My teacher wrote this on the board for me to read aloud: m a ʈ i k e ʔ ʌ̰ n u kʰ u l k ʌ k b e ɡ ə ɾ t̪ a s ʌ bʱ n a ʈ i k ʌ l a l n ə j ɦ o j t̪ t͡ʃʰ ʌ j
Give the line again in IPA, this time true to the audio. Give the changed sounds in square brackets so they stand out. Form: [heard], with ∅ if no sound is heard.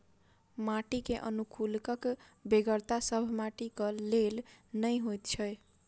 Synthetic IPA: m a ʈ i k e ʔ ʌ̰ n u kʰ u l k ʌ k b e ɡ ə ɾ t̪ a s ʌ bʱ [m] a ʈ i k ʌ l [e] l n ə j ɦ o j t̪ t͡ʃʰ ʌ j